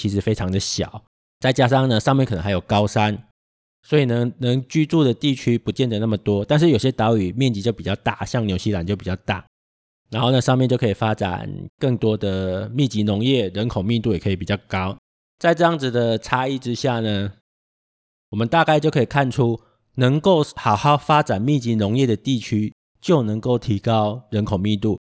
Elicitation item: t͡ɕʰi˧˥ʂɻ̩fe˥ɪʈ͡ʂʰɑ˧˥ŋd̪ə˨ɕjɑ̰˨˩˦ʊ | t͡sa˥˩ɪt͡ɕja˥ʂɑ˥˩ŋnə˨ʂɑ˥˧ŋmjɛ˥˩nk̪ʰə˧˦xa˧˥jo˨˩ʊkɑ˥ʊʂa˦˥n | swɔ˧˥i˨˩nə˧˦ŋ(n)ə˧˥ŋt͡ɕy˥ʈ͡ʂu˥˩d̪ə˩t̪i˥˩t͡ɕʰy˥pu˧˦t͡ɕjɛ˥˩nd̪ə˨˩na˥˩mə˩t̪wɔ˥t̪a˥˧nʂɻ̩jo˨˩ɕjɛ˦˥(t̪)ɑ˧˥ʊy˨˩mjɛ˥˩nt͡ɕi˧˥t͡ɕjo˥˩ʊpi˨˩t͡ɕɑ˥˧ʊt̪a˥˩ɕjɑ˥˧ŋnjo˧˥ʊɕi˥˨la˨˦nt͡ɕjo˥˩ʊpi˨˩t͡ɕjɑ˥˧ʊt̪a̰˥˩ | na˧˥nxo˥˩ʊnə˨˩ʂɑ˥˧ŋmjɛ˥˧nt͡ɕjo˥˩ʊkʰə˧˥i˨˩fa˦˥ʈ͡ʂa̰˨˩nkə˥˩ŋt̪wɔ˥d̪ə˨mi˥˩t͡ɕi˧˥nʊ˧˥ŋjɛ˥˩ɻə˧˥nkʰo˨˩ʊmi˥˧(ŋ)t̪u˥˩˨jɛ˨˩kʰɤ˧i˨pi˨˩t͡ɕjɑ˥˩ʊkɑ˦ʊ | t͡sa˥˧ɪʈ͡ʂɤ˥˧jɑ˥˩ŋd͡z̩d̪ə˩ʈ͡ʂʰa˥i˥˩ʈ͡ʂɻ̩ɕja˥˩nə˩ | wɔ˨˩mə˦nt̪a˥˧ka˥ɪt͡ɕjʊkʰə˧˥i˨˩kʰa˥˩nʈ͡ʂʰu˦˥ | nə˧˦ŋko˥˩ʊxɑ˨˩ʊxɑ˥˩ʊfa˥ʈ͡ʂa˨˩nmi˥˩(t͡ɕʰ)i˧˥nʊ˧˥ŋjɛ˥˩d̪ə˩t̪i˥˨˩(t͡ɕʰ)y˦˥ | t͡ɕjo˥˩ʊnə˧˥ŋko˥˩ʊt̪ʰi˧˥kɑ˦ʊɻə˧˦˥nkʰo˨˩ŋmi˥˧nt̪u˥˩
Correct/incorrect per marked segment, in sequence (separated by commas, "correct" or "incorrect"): correct, correct, incorrect, incorrect, correct